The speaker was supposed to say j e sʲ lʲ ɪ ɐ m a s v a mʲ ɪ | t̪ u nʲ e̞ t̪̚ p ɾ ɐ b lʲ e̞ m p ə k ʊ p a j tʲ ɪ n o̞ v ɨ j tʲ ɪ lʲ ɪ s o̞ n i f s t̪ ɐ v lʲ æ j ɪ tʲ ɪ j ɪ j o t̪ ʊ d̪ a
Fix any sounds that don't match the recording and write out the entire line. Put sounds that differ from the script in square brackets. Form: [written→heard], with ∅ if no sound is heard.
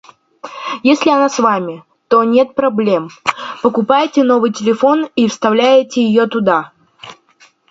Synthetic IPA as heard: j e sʲ lʲ ɪ ɐ [m→n] a s v a mʲ ɪ | t̪ [u→o] nʲ e̞ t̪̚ p ɾ ɐ b lʲ e̞ m p ə k ʊ p a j tʲ ɪ n o̞ v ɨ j tʲ ɪ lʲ ɪ [s→f] o̞ n i f s t̪ ɐ v lʲ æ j ɪ tʲ ɪ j ɪ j o t̪ ʊ d̪ a